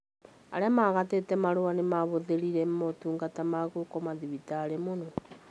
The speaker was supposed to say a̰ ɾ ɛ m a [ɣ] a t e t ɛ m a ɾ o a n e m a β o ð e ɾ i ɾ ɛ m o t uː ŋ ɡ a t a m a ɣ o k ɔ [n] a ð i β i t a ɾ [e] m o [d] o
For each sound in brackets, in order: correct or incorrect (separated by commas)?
correct, incorrect, correct, incorrect